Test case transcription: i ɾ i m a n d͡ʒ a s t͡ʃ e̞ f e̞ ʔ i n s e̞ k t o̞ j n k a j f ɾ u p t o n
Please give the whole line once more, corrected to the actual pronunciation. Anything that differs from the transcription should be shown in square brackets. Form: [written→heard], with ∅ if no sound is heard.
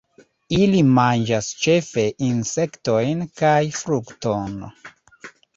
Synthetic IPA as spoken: i [ɾ→l] i m a n d͡ʒ a s t͡ʃ e̞ f e̞ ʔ i n s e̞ k t o̞ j n k a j f ɾ u [p→k] t o n

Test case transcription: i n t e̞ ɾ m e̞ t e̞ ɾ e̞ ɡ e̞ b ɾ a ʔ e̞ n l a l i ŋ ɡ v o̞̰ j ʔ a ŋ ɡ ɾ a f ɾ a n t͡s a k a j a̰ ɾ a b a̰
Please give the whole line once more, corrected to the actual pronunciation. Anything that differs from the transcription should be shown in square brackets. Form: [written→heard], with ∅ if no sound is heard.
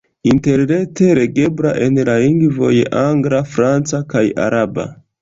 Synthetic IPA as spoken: i n t e̞ ɾ [m→n] e̞ t e̞ ɾ e̞ ɡ e̞ b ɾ a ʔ e̞ n l a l i ŋ ɡ v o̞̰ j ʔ a ŋ ɡ ɾ a f ɾ a n t͡s a k a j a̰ ɾ a b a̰

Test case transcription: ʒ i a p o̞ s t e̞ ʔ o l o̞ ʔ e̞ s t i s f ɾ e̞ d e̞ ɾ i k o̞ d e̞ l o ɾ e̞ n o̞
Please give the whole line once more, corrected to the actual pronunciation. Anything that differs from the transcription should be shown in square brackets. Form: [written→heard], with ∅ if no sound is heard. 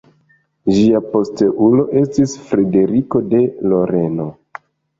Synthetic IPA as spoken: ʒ i a p o̞ s t e̞ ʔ [o→u] l o̞ ʔ e̞ s t i s f ɾ e̞ d e̞ ɾ i k o̞ d e̞ l o ɾ e̞ n o̞

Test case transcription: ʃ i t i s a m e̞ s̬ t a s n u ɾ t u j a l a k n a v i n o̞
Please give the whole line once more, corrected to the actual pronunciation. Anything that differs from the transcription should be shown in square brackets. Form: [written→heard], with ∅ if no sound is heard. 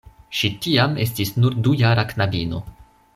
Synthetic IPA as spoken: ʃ i t i [s→∅] a m e̞ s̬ t [a→i] s n u ɾ [t→d] u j a [l→ɾ] a k n a [v→b] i n o̞

